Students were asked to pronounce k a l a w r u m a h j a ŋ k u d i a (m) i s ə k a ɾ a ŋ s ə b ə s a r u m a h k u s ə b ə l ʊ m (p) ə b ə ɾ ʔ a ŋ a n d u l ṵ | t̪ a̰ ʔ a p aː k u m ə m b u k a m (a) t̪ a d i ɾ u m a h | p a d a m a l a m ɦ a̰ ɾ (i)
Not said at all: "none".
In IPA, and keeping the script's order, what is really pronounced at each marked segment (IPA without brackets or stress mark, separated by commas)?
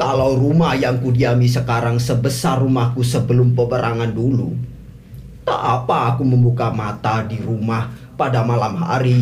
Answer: m, p, a, i